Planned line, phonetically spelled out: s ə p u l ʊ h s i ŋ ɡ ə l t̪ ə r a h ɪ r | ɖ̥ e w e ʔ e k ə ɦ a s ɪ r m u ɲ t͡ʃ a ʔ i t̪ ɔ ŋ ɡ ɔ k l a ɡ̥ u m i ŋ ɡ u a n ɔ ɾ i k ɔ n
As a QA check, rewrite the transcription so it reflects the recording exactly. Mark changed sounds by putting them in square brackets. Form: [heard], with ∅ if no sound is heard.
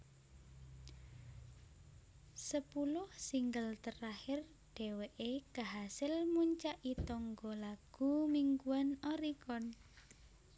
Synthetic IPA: s ə p u l ʊ h s i ŋ ɡ ə l t̪ ə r a h ɪ r | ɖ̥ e w e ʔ e k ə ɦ a s ɪ [l] m u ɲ t͡ʃ a ʔ i t̪ ɔ ŋ ɡ ɔ [∅] l a ɡ̥ u m i ŋ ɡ u a n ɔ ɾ i k ɔ n